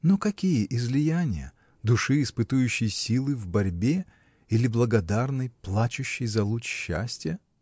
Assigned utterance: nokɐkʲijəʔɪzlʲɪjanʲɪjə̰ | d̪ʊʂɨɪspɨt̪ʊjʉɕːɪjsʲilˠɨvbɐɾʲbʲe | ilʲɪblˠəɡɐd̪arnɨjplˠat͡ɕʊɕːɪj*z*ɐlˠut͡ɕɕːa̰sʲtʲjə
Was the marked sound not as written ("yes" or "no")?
no